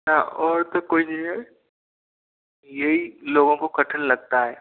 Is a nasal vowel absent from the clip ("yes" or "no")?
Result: no